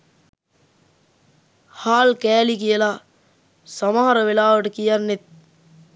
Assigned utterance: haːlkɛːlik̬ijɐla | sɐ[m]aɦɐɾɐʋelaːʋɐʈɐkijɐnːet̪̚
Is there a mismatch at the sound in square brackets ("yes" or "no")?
no